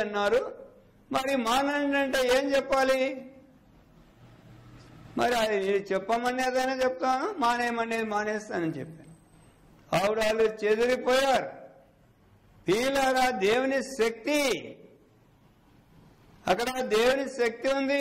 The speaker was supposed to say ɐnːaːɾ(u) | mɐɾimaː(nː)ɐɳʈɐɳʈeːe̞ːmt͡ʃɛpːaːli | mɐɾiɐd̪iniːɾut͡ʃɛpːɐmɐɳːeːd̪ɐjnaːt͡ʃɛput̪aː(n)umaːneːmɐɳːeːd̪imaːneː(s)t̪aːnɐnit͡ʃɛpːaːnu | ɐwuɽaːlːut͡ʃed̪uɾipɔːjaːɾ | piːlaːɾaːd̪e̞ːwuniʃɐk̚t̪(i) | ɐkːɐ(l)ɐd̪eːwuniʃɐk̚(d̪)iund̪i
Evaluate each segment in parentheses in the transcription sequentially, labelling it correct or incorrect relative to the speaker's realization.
correct, incorrect: n, correct, correct, correct, incorrect: ɽ, incorrect: t̪

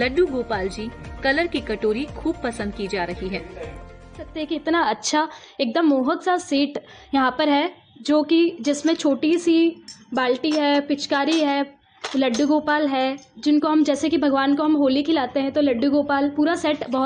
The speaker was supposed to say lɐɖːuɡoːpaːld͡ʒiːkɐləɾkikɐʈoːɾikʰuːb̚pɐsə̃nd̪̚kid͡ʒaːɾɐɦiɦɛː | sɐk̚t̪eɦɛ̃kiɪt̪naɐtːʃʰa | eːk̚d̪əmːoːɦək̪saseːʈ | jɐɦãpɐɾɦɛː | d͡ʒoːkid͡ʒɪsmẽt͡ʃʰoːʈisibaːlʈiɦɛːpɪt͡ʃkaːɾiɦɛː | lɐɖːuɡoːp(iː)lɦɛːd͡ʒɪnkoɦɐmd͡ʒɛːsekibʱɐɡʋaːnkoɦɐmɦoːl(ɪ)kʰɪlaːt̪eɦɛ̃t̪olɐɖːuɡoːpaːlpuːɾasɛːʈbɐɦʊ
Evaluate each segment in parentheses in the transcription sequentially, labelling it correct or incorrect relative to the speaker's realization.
incorrect: aː, incorrect: i

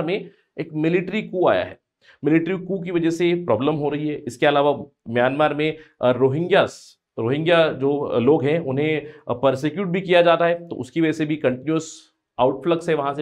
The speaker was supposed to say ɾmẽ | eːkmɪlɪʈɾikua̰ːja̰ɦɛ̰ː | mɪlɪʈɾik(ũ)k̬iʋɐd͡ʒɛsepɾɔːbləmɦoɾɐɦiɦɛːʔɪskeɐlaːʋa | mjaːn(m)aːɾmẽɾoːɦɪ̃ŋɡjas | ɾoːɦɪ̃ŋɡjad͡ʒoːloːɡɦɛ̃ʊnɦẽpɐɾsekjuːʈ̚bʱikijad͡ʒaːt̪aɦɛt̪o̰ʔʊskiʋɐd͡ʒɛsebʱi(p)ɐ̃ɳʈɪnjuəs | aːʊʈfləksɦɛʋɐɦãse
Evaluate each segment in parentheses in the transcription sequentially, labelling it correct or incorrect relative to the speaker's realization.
incorrect: u, correct, incorrect: k

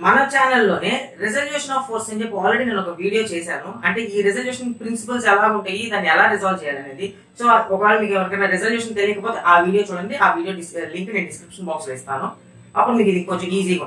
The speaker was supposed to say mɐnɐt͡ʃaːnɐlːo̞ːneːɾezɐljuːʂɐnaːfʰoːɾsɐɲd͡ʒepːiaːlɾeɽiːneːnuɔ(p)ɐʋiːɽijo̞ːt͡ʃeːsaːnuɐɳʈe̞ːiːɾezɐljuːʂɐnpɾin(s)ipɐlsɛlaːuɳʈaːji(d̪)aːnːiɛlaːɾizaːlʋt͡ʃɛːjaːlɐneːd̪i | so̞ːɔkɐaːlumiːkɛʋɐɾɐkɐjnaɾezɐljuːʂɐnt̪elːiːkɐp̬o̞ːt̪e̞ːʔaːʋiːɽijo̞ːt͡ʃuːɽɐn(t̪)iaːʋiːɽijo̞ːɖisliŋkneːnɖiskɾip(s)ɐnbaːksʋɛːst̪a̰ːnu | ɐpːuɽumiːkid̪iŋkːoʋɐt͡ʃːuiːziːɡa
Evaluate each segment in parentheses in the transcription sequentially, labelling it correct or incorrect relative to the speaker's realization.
incorrect: k, correct, correct, incorrect: d̪, incorrect: ʂ

